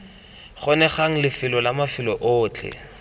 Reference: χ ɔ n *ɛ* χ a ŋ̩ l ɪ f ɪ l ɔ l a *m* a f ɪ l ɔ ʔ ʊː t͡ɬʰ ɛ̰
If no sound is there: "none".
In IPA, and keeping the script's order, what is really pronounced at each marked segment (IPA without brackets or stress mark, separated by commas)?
ɛ, m